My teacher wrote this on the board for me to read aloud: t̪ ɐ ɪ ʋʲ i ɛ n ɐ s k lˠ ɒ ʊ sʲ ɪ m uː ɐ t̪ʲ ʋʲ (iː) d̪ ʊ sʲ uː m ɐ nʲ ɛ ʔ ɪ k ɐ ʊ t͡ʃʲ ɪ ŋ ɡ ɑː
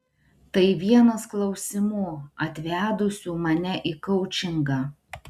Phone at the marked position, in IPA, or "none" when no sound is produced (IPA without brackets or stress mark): æː